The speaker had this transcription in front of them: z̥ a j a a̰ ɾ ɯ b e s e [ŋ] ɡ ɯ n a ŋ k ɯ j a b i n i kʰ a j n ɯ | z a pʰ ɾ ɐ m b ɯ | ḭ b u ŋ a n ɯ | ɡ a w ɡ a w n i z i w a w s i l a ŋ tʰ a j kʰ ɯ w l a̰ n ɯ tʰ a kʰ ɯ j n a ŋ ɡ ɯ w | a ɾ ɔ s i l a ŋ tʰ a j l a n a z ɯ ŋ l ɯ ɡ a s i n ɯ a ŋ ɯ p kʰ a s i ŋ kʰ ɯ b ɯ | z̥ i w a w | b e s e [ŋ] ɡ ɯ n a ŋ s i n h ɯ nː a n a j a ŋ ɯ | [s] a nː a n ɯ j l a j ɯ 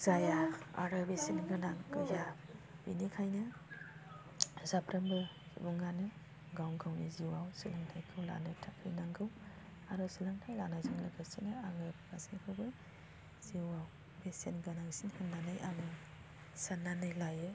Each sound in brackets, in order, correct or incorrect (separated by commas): incorrect, incorrect, correct